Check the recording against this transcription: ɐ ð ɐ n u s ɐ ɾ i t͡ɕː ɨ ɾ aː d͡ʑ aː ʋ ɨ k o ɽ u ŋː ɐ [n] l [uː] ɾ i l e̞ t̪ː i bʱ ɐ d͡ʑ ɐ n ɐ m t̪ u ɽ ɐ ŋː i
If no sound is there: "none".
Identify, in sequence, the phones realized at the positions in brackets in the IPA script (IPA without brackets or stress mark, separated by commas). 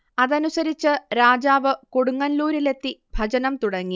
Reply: n, uː